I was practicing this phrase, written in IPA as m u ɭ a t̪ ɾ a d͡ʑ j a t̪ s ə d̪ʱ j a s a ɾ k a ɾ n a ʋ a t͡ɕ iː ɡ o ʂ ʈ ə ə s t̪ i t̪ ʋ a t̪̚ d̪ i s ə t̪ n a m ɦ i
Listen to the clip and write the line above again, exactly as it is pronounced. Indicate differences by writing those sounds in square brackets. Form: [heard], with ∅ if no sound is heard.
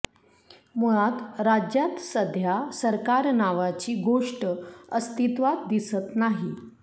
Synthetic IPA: m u ɭ a t̪ ɾ a d͡ʑ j a t̪ s ə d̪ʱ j a s [ə] ɾ k a ɾ n a ʋ a t͡ɕ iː ɡ o ʂ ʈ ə ə s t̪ i t̪ ʋ a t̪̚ d̪ i s ə t̪ n a [∅] ɦ i